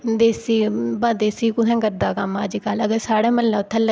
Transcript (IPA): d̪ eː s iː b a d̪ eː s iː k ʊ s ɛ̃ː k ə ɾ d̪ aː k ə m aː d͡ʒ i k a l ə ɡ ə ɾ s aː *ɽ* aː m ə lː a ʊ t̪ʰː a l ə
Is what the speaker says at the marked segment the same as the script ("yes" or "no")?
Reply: yes